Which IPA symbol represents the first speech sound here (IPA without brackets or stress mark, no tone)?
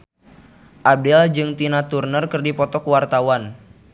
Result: ʔ